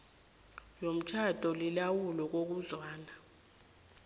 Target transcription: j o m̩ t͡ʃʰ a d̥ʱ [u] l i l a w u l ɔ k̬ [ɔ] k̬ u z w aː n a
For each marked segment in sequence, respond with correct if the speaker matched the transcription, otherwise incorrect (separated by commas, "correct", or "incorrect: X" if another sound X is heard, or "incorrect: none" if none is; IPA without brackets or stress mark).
incorrect: ɔ, incorrect: o